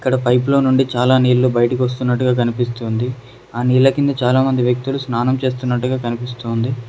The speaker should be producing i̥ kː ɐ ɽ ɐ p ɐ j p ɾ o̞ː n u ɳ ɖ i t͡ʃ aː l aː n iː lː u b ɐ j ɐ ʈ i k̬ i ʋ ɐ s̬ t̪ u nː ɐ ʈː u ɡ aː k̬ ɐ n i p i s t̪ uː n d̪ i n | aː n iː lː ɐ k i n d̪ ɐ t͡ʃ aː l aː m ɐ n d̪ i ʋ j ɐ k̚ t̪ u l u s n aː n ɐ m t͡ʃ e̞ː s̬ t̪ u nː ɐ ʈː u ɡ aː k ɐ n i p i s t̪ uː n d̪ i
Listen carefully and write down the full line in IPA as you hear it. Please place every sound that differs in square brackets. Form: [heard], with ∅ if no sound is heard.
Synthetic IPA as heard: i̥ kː ɐ ɽ ɐ p ɐ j p [l] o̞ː n u ɳ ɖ i t͡ʃ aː l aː n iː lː u b ɐ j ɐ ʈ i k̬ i ʋ ɐ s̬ t̪ u nː ɐ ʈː u ɡ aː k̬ ɐ n i p i s t̪ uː n d̪ i [∅] | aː n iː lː ɐ k i n d̪ ɐ t͡ʃ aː l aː m ɐ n d̪ i ʋ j ɐ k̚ t̪ u l u s n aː n ɐ m t͡ʃ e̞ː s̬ t̪ u nː ɐ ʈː u ɡ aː k ɐ n i p i s t̪ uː n d̪ i